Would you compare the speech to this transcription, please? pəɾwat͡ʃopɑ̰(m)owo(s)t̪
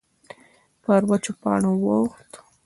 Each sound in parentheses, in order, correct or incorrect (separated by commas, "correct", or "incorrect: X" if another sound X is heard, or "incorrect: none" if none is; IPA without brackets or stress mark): incorrect: ɳ, incorrect: x